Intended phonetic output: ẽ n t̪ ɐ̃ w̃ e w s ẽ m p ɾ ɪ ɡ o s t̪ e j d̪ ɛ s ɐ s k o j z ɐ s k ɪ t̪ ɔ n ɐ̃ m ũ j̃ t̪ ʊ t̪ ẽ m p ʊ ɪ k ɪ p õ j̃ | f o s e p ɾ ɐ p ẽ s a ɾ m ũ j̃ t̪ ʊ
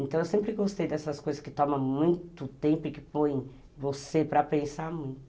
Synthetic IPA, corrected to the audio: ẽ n t̪ ɐ̃ w̃ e w s ẽ m p ɾ ɪ ɡ o s t̪ e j d̪ ɛ s ɐ s k o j z ɐ s k ɪ t̪ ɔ m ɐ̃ m ũ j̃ t̪ ʊ t̪ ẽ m p ʊ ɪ k ɪ p õ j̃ | v o s e p ɾ ɐ p ẽ s a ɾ m ũ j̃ t̪ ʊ